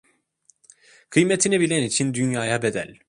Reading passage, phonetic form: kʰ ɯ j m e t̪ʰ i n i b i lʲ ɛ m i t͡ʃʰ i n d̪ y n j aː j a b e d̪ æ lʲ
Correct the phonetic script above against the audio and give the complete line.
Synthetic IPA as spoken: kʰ ɯ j m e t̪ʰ i n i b i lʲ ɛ n i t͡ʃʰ i n d̪ y n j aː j a b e d̪ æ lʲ